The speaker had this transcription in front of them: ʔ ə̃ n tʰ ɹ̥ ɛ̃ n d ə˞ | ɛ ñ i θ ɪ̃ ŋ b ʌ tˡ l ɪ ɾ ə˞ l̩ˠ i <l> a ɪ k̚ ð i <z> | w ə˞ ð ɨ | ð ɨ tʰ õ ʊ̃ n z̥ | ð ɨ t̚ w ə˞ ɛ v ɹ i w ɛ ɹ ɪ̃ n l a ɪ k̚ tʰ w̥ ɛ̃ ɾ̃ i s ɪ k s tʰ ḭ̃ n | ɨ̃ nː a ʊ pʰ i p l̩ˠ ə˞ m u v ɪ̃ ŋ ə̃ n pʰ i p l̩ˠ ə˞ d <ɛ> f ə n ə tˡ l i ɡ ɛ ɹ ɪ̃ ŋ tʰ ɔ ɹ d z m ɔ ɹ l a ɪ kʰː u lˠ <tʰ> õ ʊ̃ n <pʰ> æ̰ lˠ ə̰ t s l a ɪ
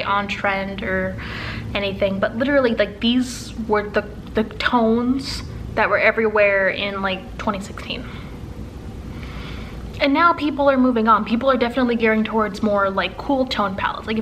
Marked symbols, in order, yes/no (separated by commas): yes, yes, yes, yes, yes